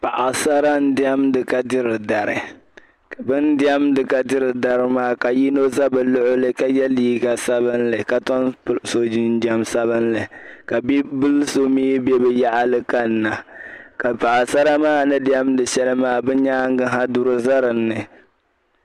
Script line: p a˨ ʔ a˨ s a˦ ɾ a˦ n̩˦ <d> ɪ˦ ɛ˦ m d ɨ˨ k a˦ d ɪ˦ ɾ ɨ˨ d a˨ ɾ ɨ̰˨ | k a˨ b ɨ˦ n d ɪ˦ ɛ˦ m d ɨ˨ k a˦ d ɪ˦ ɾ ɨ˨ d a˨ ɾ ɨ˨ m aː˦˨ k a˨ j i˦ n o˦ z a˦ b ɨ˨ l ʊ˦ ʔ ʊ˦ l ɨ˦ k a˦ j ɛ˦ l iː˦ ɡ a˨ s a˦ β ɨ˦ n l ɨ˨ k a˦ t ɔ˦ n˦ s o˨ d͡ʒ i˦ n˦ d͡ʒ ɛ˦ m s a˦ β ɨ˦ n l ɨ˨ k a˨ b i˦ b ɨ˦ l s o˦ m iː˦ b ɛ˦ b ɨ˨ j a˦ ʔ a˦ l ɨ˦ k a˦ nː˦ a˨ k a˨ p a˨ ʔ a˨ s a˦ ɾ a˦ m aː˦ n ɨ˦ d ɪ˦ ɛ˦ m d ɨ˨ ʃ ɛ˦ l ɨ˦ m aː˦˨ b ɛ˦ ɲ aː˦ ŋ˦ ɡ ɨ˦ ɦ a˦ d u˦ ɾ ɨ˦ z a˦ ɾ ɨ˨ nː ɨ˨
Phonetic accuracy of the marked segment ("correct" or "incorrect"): correct